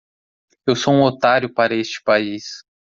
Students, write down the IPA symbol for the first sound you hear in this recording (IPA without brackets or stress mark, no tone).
e